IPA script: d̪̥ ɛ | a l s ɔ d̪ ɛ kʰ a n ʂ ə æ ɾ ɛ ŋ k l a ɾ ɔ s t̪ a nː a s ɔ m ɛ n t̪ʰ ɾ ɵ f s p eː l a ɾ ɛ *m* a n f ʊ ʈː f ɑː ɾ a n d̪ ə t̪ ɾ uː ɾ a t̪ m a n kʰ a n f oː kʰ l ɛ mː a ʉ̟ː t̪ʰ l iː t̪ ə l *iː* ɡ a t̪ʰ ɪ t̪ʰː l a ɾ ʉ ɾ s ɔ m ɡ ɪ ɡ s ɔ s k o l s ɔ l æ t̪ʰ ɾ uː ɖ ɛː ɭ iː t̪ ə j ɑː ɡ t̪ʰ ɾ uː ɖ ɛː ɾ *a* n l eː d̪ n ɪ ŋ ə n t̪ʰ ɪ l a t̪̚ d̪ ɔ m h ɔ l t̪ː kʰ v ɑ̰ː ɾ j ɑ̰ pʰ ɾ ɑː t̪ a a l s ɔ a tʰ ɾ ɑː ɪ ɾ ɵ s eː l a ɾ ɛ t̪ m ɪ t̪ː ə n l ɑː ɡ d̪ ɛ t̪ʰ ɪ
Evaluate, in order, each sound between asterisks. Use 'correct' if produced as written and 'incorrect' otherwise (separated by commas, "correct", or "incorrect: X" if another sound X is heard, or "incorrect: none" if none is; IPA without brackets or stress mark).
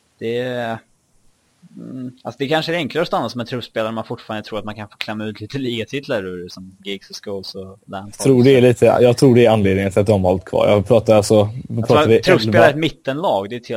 correct, correct, correct